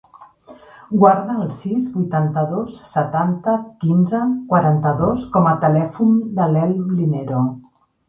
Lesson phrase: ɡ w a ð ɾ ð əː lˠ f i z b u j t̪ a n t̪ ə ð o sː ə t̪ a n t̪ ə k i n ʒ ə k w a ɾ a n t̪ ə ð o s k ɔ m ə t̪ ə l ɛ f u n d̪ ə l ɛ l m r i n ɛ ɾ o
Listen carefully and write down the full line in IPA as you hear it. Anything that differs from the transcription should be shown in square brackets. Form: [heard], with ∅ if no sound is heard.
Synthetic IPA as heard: ɡ w a [∅] ɾ ð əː lˠ [s] i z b u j t̪ a n t̪ ə ð o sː ə t̪ a n t̪ ə k i n [z] ə k w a ɾ a n t̪ ə ð o s k ɔ m ə t̪ ə l ɛ f u n d̪ ə l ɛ l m [l] i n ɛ ɾ o